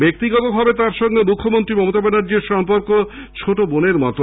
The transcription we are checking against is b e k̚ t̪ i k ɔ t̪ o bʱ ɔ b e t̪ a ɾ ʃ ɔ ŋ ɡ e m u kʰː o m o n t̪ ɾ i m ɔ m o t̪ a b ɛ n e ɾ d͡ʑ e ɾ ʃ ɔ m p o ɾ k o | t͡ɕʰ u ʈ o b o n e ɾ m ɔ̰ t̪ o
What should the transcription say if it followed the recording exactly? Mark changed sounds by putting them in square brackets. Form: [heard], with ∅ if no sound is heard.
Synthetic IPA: b e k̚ t̪ i [ɡ] ɔ t̪ o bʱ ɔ b e t̪ a ɾ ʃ ɔ ŋ ɡ e m u kʰː o m o n t̪ ɾ i m ɔ m o t̪ a b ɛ n [a] ɾ d͡ʑ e ɾ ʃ ɔ m p o ɾ k o | t͡ɕʰ [o] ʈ o b o n e ɾ m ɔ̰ t̪ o